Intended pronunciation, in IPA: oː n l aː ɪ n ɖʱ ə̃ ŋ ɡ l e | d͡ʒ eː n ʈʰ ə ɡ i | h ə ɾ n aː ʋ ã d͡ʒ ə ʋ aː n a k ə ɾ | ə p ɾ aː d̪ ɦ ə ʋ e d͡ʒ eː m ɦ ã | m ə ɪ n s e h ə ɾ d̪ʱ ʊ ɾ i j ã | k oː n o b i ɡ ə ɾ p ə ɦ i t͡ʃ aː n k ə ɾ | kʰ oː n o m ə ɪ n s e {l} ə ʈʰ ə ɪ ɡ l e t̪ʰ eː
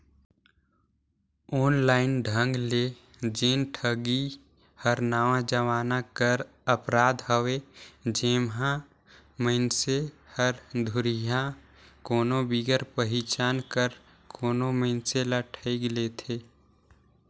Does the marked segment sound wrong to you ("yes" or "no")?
no